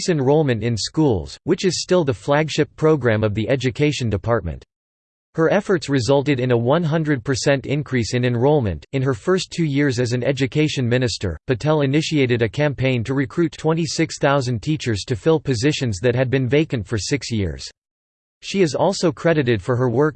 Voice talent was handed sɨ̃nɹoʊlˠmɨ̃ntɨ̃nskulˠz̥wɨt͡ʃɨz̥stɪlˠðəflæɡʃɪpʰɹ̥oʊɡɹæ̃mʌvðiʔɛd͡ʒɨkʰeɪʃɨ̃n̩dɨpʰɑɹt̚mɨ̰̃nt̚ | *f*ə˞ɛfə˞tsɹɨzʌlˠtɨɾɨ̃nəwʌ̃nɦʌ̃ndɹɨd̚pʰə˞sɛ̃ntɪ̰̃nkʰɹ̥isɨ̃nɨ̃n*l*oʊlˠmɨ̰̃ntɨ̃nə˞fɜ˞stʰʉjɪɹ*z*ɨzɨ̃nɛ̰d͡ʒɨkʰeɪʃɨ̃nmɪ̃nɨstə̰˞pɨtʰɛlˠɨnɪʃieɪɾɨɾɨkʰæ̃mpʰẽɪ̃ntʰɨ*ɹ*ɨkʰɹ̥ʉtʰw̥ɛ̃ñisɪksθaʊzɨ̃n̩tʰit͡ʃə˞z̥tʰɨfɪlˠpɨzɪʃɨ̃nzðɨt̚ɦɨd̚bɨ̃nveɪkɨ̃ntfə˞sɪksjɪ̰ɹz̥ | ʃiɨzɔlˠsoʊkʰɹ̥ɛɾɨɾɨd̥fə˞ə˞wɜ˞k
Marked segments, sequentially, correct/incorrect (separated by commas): incorrect, incorrect, correct, correct